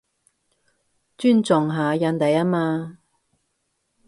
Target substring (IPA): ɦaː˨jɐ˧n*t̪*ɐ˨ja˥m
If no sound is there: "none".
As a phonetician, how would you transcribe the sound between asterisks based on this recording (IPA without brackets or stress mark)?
t̪